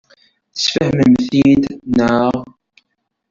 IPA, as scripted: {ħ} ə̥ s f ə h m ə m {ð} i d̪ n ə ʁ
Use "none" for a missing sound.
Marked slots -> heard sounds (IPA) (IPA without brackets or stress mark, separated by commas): θ, θ